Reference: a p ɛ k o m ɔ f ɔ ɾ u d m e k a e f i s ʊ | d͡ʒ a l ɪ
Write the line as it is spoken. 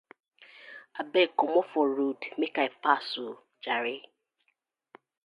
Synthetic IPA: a b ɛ k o m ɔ f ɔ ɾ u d m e k a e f a s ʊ | d͡ʒ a ɾ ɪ